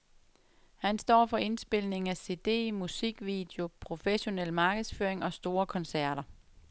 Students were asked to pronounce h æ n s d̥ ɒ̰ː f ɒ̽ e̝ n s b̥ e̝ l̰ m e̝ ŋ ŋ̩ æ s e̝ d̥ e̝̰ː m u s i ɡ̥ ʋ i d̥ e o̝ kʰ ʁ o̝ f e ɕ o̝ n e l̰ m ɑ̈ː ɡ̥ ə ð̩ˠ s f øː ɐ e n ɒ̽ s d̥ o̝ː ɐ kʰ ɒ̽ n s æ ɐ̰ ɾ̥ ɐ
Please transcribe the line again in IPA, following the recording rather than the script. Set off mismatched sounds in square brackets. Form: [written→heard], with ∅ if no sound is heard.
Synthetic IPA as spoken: h æ n s d̥ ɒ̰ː f ɒ̽ e̝ n s b̥ e̝ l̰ [m→n] e̝ ŋ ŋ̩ æ s e̝ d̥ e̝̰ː m u s i ɡ̥ ʋ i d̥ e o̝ [kʰ→pʰ] ʁ o̝ f e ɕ o̝ n e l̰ m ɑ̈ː ɡ̥ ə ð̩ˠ s f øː ɐ e [n→ŋ] ɒ̽ s d̥ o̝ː ɐ kʰ ɒ̽ n s æ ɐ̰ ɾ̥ ɐ